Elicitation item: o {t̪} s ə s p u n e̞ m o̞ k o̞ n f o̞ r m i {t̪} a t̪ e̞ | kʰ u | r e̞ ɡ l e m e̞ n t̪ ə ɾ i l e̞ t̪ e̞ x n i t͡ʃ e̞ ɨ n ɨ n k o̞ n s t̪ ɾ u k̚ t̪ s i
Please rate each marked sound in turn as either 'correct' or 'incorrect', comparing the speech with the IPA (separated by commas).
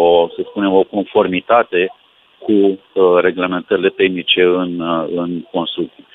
incorrect, correct